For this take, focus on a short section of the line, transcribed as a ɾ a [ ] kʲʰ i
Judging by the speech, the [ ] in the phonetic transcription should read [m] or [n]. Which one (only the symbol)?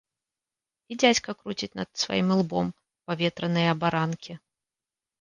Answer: n